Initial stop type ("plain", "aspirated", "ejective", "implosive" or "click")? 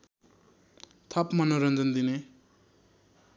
aspirated